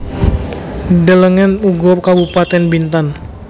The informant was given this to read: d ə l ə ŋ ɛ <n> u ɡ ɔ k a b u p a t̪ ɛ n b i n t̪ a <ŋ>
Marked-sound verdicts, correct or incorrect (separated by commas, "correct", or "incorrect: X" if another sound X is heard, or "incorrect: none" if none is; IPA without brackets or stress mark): correct, incorrect: n